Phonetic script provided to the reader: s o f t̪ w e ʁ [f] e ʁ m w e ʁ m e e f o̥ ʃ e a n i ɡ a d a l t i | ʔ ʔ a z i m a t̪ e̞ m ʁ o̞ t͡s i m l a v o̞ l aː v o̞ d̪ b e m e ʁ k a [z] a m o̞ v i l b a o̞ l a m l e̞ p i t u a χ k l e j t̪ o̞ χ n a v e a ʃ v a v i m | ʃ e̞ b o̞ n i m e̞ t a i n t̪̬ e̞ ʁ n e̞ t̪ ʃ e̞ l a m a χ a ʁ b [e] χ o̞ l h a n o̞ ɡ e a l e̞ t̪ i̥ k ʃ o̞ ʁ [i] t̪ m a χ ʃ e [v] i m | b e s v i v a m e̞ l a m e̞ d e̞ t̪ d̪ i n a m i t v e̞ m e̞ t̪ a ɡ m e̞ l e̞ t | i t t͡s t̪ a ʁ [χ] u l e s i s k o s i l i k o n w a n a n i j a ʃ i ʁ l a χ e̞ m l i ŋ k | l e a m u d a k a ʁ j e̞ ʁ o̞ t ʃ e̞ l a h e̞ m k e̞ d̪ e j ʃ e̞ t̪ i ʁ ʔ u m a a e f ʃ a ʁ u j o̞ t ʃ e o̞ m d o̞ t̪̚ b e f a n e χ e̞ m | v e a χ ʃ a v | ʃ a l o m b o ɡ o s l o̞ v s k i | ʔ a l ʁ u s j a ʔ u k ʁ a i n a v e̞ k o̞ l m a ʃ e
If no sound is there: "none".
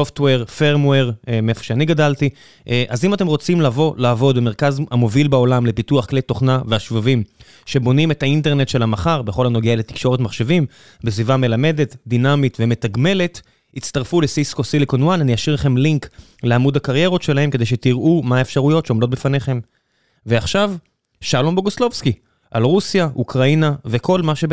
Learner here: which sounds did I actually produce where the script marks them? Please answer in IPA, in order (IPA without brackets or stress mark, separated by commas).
f, z, e, e, v, f